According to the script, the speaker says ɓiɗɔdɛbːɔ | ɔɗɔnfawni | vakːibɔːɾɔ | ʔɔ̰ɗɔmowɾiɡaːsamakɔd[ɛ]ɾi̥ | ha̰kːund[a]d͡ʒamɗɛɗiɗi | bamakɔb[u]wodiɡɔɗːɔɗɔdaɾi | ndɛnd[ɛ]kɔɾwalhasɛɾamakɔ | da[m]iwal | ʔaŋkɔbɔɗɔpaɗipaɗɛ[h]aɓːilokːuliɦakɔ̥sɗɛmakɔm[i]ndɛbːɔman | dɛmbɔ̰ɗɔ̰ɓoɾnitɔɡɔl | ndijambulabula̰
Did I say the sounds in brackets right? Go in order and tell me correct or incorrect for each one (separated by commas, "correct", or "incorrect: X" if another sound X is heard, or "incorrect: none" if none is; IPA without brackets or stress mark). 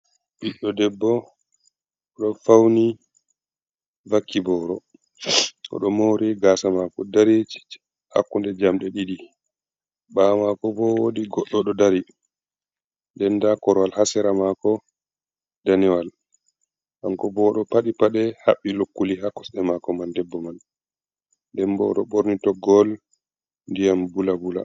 incorrect: a, incorrect: ɛ, incorrect: ɔ, incorrect: a, incorrect: n, correct, incorrect: a